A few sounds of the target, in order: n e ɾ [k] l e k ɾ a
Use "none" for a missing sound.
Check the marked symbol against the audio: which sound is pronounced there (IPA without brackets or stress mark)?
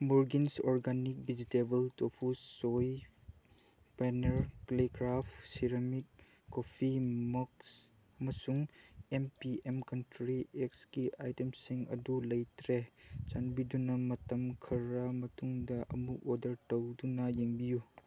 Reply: k